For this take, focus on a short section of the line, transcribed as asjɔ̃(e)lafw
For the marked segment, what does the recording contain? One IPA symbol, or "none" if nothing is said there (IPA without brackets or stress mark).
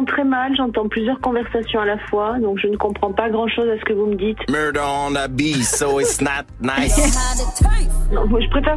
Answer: a